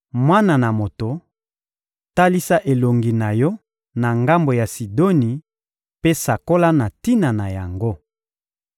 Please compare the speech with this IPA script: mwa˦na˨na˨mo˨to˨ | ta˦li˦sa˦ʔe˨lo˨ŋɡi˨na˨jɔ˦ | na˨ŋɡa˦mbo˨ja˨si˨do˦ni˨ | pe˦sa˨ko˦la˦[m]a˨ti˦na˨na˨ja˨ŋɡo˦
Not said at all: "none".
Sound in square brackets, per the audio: n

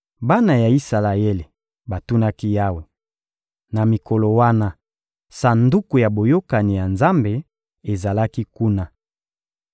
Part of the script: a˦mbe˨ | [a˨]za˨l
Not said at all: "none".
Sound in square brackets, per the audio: e˨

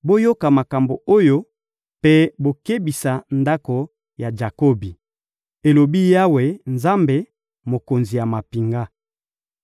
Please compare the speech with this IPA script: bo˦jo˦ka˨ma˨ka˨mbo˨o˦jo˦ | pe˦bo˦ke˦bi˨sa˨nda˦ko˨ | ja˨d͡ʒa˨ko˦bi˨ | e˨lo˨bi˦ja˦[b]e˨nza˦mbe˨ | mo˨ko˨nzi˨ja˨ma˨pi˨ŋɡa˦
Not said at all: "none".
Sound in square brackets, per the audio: w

